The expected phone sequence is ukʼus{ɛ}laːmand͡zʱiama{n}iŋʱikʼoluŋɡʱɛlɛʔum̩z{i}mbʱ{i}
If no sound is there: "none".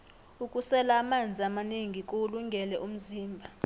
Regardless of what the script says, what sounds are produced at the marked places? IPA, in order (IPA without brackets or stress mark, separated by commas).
ɛ, n, iː, a